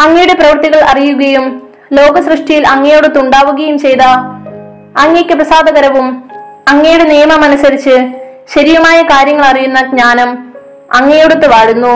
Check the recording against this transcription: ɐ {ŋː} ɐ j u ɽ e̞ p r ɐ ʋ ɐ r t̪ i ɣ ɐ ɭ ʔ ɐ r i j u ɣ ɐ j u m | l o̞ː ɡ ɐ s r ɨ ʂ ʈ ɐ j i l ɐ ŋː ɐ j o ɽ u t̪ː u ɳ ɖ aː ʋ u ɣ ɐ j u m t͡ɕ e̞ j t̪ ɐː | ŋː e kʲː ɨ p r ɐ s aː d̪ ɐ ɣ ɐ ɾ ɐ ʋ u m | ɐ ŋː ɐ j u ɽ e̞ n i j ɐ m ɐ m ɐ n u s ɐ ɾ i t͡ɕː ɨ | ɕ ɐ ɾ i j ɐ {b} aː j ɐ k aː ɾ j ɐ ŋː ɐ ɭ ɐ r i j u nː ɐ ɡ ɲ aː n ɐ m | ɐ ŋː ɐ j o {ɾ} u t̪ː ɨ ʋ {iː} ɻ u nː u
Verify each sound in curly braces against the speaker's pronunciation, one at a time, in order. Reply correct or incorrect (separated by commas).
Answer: correct, incorrect, incorrect, incorrect